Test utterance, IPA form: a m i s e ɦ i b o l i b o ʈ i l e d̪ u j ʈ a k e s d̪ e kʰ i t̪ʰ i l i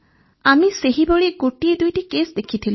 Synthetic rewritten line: a m i s e ɦ i b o ɭ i ɡ o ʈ i e d̪ u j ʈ i k e s d̪ e kʰ i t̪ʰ i l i